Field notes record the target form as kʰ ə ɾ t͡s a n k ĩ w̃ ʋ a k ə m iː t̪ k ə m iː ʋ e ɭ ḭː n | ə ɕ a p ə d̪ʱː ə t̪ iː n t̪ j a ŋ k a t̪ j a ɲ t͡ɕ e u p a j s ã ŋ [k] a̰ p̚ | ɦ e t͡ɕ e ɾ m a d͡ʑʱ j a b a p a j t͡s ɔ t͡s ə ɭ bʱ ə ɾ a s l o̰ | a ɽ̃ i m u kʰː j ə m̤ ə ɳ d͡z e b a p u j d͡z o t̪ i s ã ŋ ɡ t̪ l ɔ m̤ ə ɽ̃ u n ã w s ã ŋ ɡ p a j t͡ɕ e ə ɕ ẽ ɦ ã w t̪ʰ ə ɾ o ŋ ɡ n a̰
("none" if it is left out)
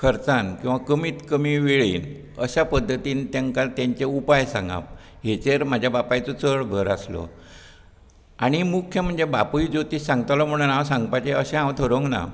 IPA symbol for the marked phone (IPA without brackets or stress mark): ɡ